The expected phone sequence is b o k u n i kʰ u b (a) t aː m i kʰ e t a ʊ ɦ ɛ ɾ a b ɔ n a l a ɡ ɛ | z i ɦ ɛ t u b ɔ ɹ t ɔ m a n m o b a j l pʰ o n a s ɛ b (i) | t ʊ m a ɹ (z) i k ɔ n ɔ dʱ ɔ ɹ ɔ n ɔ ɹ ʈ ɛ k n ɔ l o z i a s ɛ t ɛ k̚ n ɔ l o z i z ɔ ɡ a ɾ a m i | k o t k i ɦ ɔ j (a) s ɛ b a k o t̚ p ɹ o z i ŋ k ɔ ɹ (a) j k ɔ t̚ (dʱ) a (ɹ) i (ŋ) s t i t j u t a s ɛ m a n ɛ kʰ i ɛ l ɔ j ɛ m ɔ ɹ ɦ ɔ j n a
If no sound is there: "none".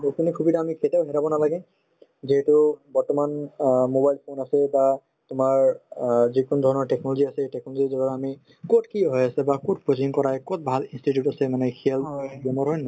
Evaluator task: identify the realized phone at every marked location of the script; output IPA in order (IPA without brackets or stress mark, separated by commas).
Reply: i, a, z, a, a, bʱ, l, n